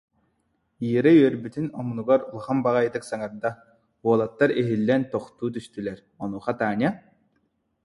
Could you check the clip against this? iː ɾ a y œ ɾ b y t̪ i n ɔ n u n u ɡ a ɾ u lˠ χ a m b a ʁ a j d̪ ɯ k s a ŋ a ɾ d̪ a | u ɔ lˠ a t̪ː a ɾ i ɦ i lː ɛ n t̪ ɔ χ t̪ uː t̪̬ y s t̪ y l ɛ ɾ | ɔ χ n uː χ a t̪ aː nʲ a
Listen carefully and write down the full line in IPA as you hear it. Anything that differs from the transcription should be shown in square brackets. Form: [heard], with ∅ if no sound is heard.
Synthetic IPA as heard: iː ɾ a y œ ɾ b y t̪ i n ɔ [m] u n u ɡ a ɾ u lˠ χ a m b a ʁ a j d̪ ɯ k s a ŋ a ɾ d̪ a | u ɔ lˠ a t̪ː a ɾ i ɦ i lː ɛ n t̪ ɔ χ t̪ uː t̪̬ y s t̪ y l ɛ ɾ | ɔ [∅] n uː χ a t̪ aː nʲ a